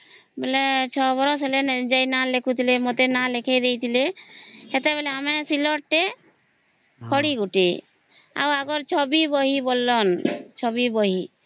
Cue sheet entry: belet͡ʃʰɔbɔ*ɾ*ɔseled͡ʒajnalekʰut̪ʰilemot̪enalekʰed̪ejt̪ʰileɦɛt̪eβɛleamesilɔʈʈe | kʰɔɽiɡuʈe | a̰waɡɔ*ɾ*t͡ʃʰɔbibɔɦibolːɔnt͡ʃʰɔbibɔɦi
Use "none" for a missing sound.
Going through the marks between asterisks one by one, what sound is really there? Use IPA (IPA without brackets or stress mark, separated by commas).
ɾ, ɾ